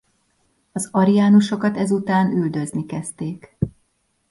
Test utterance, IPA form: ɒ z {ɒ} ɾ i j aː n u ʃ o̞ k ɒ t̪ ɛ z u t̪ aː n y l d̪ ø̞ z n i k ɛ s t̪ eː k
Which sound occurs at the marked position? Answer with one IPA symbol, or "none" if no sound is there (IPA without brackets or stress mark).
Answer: ɒ